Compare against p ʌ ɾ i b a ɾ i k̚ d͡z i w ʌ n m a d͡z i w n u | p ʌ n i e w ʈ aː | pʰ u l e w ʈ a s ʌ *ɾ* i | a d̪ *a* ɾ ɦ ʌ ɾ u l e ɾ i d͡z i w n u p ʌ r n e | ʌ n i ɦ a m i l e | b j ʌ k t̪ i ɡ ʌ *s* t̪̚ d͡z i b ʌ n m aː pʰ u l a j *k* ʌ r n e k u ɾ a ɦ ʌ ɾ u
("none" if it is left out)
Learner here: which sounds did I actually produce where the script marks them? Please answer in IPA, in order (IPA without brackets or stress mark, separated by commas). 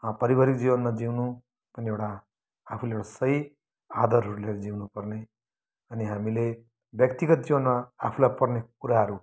none, ʌ, none, p